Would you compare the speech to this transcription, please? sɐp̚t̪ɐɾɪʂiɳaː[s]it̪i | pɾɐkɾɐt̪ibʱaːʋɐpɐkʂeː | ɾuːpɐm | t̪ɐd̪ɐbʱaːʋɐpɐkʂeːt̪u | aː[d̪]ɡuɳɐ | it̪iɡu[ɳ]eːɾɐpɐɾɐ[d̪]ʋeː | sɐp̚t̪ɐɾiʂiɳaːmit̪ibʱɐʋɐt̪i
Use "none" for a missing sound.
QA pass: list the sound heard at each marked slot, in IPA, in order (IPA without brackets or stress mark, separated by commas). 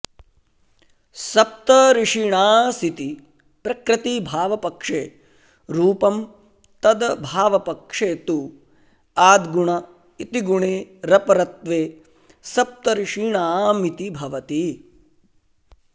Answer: s, d̪, ɳ, t̪